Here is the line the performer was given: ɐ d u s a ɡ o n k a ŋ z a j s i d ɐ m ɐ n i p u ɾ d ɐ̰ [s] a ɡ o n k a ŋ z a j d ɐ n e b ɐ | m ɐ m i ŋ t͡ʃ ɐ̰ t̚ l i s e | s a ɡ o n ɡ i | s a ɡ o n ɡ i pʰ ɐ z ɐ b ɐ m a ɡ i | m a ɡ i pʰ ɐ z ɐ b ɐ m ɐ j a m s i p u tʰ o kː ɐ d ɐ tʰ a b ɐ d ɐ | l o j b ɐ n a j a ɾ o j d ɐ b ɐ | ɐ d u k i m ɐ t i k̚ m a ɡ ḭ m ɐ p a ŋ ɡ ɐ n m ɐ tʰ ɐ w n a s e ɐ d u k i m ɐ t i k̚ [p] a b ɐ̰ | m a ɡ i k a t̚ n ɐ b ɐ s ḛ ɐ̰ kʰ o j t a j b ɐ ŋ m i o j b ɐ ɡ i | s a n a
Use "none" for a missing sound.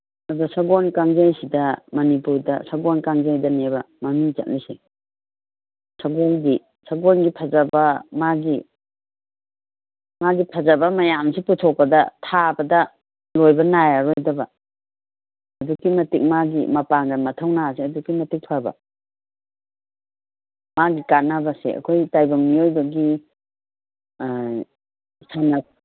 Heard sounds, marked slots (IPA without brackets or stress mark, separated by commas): s, pʰ